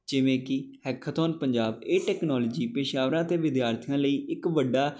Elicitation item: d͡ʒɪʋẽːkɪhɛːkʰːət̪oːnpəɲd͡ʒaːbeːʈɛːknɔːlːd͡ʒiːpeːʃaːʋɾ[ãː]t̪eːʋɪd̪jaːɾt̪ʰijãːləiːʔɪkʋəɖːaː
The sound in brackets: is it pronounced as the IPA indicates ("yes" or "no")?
yes